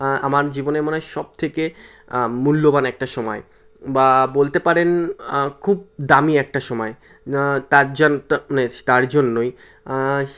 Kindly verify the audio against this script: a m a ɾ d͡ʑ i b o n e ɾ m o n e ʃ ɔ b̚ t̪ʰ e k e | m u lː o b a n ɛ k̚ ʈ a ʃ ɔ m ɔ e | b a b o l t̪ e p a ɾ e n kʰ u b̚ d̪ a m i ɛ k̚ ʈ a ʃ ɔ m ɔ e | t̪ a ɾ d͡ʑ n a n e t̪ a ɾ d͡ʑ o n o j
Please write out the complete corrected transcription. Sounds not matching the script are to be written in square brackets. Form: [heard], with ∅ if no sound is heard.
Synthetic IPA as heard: a m a ɾ d͡ʑ i b o n e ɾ m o n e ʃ ɔ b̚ t̪ʰ e k e | m u lː o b a n ɛ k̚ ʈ a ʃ ɔ m ɔ e | b a b o l t̪ e p a ɾ e n kʰ u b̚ d̪ a m i ɛ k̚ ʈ a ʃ ɔ m ɔ e | t̪ a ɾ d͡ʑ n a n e t̪ a ɾ d͡ʑ o [nː] o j